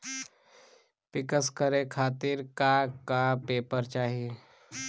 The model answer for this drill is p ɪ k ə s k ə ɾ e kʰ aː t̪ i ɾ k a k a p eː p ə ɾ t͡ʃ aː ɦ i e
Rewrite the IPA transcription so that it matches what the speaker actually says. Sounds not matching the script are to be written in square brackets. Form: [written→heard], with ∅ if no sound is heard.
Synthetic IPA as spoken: p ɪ k ə s k ə ɾ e kʰ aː t̪ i ɾ k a k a p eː p ə ɾ t͡ʃ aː ɦ i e